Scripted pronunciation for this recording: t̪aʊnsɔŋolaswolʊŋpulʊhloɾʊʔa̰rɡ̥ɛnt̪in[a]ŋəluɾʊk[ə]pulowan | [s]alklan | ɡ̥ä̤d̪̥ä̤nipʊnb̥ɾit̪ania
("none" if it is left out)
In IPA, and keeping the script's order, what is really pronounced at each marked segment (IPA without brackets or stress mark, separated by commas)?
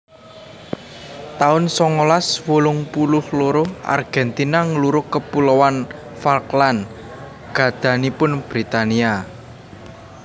a, ə, f